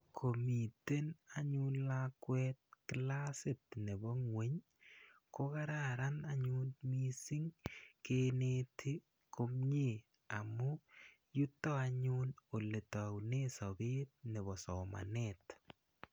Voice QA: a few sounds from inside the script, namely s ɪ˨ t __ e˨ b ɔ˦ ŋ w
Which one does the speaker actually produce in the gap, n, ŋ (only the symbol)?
n